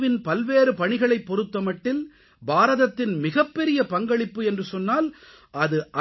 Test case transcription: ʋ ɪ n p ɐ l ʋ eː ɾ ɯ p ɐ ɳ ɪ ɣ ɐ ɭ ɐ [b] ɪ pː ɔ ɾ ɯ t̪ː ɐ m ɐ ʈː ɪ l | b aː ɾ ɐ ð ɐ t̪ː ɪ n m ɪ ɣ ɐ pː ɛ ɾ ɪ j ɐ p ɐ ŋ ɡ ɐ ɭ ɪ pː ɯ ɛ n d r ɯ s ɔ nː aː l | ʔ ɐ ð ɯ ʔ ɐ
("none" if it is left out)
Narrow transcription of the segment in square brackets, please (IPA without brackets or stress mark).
none